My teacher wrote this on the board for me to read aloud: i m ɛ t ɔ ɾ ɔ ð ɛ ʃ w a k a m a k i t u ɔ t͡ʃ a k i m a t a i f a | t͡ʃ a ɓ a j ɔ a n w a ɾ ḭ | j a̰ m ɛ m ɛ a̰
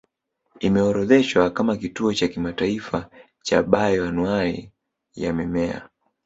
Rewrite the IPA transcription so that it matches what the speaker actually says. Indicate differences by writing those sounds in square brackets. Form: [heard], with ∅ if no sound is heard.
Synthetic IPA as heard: i m ɛ [∅] ɔ ɾ ɔ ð ɛ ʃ w a k a m a k i t u ɔ t͡ʃ a k i m a t a i f a | t͡ʃ a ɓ a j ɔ a n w a ɾ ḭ | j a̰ m ɛ m ɛ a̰